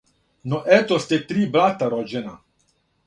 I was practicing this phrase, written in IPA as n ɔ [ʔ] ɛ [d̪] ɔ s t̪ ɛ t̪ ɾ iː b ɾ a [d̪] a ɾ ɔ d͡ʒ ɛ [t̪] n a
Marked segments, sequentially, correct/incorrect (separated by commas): correct, incorrect, incorrect, incorrect